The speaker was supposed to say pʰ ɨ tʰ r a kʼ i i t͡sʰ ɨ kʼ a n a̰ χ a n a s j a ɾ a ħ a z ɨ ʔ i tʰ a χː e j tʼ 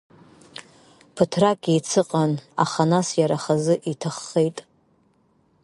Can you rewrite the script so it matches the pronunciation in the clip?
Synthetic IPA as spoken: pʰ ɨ tʰ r a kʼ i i t͡sʰ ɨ qʼ a n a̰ χ a n a s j a ɾ a χ a z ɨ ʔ i tʰ a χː e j tʼ